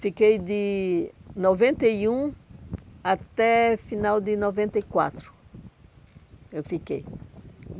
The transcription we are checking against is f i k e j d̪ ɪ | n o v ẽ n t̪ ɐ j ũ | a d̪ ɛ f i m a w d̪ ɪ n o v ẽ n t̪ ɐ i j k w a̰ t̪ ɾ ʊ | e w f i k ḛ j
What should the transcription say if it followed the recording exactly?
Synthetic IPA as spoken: f i k e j d̪ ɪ | n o v ẽ n t̪ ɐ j ũ | a t̪ ɛ f i n a w d̪ ɪ n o v ẽ n t̪ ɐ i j k w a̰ t̪ ɾ ʊ | e w f i k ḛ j